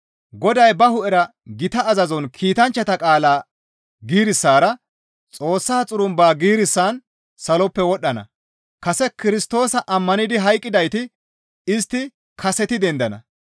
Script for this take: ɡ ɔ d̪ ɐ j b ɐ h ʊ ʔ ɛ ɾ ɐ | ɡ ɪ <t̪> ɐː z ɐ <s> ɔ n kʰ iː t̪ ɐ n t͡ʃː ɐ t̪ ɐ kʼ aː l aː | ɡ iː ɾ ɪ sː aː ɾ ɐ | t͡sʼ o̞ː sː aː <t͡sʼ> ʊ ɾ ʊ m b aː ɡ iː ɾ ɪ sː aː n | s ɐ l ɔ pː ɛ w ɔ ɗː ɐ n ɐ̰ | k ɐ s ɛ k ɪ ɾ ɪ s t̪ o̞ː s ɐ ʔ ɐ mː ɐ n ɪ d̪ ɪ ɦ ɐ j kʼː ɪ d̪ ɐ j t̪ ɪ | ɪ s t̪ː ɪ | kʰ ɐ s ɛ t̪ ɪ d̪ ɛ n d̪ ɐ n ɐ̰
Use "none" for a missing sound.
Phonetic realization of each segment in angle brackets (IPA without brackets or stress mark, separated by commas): t̪, z, t͡sʼ